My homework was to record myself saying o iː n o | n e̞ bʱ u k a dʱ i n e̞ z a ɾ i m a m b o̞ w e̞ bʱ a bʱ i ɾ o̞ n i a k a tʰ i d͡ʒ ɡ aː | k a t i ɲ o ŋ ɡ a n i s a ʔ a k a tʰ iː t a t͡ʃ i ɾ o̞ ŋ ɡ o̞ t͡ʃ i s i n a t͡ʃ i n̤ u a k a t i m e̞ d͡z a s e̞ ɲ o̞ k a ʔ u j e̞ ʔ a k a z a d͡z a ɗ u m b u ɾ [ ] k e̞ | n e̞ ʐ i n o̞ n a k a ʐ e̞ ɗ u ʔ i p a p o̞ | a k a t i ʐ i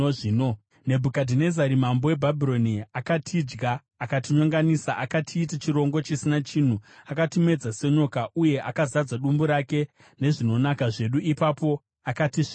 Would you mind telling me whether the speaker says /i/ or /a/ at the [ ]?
a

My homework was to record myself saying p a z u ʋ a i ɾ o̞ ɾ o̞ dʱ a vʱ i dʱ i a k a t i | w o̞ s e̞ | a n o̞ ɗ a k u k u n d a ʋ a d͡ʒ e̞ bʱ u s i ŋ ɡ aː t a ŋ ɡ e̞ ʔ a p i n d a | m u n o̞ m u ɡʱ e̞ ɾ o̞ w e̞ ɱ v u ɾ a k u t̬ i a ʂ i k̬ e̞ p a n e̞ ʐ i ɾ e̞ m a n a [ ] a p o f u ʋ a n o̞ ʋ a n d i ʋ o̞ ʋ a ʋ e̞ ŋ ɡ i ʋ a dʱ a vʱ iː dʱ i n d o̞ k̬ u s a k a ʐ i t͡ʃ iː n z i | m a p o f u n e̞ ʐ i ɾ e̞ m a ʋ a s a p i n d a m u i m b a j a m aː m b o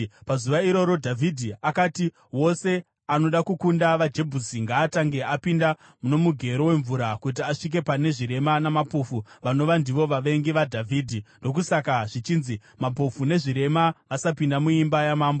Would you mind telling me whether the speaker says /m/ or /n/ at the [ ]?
m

